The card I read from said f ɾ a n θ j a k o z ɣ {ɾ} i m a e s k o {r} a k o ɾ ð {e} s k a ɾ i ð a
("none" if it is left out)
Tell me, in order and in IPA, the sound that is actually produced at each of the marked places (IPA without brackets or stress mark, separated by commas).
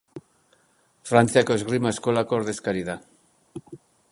ɾ, l, e